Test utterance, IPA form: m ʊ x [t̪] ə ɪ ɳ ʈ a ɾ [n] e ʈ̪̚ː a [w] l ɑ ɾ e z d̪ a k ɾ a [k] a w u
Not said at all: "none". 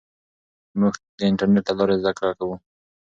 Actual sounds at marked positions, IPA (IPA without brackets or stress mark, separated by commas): d̪, n, none, k